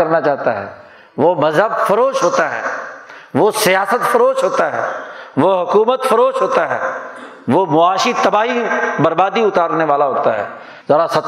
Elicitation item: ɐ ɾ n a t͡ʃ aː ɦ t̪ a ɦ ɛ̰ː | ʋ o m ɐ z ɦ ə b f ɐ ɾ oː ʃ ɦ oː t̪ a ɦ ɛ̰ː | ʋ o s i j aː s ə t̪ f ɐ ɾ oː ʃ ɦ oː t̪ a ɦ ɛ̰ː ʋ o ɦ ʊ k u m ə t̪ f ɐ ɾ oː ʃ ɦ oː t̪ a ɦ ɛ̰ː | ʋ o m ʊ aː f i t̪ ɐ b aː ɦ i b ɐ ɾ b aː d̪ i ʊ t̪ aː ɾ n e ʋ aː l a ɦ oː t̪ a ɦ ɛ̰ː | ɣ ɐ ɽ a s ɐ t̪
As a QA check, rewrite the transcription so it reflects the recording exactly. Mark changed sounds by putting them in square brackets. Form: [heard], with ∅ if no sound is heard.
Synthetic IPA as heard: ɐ ɾ n a t͡ʃ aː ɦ t̪ a ɦ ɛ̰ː | ʋ o m ɐ z ɦ ə b f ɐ ɾ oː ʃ ɦ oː t̪ a ɦ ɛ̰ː | ʋ o s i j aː s ə t̪ f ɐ ɾ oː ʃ ɦ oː t̪ a ɦ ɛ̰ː ʋ o ɦ ʊ k [uː] m ə t̪ f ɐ ɾ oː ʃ ɦ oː t̪ a ɦ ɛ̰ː | ʋ o m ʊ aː [ʃ] i t̪ ɐ b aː ɦ i b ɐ ɾ b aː d̪ i ʊ t̪ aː ɾ n e ʋ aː l a ɦ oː t̪ a ɦ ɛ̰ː | [z] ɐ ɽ a s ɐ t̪